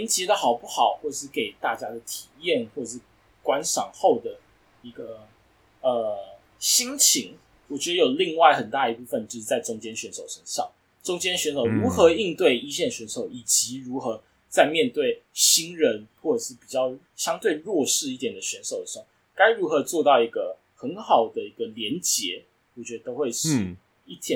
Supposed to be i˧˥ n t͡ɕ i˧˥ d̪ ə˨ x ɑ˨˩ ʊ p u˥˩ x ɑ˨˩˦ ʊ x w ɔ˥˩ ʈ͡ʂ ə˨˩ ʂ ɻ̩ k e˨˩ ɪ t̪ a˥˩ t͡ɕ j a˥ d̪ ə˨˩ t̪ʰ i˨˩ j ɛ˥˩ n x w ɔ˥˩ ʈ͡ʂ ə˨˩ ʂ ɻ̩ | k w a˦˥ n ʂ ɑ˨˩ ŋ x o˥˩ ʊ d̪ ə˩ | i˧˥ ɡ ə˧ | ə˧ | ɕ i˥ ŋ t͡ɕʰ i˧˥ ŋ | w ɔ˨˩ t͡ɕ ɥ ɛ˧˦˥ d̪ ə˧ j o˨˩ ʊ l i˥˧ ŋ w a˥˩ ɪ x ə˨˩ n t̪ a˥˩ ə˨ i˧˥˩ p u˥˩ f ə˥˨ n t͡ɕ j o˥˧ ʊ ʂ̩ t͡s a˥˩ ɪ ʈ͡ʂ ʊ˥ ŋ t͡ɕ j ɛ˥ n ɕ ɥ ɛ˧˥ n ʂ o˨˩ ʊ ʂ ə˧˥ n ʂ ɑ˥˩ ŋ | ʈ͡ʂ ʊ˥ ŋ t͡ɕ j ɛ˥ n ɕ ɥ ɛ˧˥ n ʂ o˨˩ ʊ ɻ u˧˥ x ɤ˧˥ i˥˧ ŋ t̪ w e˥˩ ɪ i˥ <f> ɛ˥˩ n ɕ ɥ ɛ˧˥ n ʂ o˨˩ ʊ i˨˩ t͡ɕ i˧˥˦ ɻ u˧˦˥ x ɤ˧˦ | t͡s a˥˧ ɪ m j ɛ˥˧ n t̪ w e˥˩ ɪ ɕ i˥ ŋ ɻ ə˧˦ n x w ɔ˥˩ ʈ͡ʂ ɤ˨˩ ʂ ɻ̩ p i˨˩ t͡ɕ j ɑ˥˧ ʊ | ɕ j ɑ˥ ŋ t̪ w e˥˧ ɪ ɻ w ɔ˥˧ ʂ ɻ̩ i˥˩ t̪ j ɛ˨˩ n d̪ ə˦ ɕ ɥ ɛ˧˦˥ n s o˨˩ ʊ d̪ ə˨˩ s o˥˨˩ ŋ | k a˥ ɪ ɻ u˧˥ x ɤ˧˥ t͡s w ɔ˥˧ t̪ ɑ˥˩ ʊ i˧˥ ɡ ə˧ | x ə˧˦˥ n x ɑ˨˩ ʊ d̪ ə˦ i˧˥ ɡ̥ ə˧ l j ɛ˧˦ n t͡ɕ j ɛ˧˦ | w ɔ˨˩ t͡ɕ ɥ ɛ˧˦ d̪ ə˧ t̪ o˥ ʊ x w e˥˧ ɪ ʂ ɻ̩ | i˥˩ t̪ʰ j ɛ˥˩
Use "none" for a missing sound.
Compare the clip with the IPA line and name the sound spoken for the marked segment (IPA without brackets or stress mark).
ɕ